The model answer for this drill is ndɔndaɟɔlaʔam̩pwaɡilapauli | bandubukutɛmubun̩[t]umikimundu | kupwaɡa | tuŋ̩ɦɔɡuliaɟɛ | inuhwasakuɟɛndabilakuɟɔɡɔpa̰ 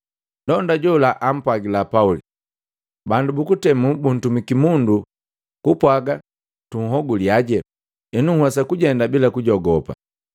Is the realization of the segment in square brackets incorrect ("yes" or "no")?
no